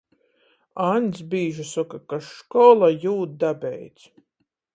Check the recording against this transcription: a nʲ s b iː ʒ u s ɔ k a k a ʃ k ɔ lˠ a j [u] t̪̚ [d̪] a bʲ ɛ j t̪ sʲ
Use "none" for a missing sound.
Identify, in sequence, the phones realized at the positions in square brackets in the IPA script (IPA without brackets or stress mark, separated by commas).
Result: uː, d̪